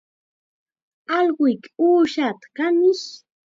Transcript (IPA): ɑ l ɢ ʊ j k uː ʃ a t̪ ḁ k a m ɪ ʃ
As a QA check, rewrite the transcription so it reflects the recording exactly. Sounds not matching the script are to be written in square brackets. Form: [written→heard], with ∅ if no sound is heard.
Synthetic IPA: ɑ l ɢ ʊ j k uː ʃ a t̪ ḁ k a [m→n] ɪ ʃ